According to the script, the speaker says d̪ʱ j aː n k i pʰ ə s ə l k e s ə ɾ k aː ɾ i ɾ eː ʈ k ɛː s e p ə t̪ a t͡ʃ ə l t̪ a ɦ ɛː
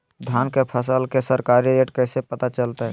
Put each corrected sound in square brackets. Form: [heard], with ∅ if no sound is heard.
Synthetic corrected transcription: d̪ʱ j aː n k [e] pʰ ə s ə l k e s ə ɾ k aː ɾ i ɾ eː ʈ k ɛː s e p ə t̪ a t͡ʃ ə l t̪ a ɦ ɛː